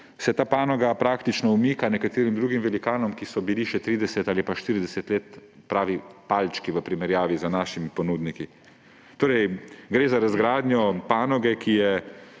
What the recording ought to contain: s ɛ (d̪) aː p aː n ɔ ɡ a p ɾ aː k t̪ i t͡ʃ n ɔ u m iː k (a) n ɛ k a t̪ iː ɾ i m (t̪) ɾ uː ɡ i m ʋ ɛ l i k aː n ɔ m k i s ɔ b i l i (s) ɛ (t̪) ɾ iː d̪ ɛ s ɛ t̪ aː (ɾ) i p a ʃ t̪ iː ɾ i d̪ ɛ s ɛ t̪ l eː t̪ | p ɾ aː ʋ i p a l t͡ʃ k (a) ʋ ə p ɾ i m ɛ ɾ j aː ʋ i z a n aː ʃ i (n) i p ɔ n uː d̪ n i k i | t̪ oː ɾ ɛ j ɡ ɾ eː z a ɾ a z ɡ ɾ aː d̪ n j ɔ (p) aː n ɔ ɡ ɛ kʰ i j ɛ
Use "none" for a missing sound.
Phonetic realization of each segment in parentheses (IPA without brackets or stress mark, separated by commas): t̪, a, d̪, ʃ, t̪, l, i, m, p